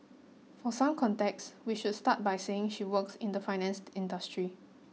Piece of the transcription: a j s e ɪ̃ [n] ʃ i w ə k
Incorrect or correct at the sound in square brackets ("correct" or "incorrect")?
incorrect